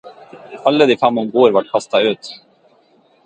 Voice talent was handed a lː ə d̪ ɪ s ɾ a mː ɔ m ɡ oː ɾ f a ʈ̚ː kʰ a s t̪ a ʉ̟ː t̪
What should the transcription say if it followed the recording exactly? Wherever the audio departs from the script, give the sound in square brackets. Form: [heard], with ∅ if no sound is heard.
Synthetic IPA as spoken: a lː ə d̪ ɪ [f] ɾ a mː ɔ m ɡ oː ɾ [v] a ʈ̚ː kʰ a s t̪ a ʉ̟ː t̪

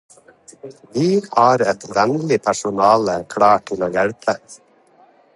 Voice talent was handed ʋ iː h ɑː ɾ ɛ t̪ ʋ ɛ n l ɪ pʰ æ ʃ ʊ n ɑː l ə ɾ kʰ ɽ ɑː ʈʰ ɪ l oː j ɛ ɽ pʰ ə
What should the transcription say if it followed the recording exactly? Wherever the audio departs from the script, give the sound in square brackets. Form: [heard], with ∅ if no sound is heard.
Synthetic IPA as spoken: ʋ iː h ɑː ɾ ɛ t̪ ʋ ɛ n l ɪ pʰ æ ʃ ʊ n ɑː l ə [∅] kʰ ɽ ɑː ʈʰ ɪ l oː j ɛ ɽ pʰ ə

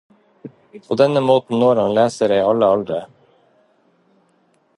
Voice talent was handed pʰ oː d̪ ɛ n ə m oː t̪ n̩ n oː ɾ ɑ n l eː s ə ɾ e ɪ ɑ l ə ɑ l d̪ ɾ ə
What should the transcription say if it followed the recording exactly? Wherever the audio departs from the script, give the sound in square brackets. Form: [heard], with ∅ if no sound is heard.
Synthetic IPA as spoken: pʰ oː d̪ ɛ n ə m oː t̪ n̩ n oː ɾ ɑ n l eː s ə ɾ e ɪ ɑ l ə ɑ l d̪ ɾ ə

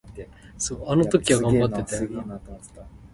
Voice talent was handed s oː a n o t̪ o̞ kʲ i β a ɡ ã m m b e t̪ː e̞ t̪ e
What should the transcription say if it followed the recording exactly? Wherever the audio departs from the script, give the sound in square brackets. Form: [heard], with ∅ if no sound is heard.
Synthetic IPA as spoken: s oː a n o t̪ o̞ kʲ i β a ɡ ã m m b [a] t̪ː e̞ t̪ e

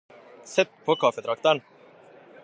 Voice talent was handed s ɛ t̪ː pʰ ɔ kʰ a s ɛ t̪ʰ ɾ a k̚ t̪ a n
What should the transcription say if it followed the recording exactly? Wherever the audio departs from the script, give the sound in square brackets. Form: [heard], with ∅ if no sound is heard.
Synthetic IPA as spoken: s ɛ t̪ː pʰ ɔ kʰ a [f] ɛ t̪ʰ ɾ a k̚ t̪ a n

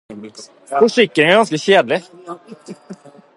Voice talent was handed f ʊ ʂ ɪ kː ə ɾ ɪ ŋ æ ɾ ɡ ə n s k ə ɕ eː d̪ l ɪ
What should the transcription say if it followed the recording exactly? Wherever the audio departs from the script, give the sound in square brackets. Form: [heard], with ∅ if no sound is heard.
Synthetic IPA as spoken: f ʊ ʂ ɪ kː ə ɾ ɪ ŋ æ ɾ ɡ [ɑ] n s k ə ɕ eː d̪ l ɪ

